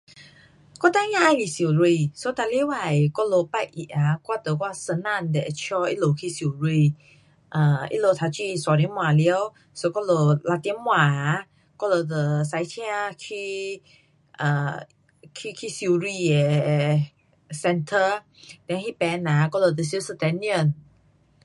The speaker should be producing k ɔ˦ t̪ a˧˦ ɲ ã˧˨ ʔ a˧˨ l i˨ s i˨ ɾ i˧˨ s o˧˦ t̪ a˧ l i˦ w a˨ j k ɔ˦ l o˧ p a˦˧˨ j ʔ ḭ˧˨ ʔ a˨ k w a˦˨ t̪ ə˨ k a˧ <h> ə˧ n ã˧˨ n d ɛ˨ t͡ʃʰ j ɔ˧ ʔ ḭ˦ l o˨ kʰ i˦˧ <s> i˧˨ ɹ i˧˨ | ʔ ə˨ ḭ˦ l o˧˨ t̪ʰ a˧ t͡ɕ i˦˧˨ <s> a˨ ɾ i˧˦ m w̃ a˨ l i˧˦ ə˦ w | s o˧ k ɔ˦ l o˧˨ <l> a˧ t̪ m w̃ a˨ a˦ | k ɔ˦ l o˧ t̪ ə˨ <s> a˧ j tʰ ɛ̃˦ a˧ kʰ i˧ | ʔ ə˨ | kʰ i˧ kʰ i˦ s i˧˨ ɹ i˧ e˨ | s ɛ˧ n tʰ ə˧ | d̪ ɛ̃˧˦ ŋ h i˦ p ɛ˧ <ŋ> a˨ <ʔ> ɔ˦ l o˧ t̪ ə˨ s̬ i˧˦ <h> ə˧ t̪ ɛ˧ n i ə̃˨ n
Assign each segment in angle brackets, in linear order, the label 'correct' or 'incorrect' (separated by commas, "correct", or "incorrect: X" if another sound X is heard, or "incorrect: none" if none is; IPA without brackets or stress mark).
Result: incorrect: s, correct, correct, correct, correct, incorrect: n, incorrect: k, incorrect: s